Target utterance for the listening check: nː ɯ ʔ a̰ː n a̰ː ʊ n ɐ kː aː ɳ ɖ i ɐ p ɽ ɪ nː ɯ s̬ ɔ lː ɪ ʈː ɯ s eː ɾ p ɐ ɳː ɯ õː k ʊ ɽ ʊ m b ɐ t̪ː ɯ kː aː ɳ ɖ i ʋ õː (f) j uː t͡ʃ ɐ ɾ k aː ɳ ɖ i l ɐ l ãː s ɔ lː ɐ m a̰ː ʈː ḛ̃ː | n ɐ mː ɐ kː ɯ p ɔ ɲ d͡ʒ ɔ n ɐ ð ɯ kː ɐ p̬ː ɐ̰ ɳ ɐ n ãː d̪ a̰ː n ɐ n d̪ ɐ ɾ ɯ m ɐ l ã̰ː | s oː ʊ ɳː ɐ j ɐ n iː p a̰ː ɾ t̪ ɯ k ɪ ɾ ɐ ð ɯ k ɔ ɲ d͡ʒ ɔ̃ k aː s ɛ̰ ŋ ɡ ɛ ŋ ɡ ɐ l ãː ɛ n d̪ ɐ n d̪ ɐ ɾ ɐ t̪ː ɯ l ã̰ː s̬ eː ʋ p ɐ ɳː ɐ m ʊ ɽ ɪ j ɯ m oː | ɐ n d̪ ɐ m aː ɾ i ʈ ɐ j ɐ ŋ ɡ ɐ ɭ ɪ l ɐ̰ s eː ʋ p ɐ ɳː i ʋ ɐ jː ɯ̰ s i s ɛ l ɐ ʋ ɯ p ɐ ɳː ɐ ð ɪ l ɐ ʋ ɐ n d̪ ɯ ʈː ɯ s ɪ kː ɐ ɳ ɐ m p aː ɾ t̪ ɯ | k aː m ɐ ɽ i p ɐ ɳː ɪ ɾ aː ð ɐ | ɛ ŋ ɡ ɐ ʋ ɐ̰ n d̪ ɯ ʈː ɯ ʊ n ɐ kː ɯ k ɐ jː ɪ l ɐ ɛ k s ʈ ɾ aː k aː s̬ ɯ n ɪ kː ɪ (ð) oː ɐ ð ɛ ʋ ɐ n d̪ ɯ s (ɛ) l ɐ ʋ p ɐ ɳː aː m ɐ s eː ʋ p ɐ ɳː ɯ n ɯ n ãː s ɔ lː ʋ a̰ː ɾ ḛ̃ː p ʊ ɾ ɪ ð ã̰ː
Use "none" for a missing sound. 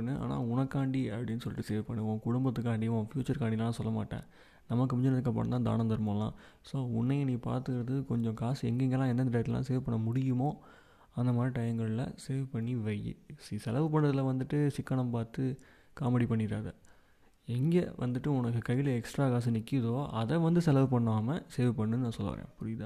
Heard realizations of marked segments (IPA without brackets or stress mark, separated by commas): f, ð, ɛ